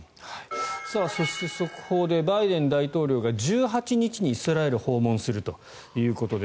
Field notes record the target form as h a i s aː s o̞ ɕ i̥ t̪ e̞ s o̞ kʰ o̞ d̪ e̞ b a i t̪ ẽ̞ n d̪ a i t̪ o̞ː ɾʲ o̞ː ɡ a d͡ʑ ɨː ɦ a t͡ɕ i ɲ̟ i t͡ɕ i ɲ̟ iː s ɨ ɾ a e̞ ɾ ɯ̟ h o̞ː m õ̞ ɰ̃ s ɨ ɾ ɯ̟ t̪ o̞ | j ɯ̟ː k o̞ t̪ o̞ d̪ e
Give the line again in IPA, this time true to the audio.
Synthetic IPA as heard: h a i s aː s o̞ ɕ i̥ t̪ e̞ s o̞ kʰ o̞ d̪ e̞ b a i d̪ ẽ̞ n d̪ a i t̪ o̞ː ɾʲ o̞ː ɡ a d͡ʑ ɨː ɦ a t͡ɕ i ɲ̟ i t͡ɕ i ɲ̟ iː s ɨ ɾ a e̞ ɾ ɯ̟ h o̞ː m õ̞ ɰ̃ s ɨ ɾ ɯ̟ t̪ o̞ | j ɯ̟ː k o̞ t̪ o̞ d̪ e